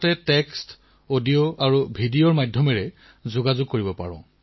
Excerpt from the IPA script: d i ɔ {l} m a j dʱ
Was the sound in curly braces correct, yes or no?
no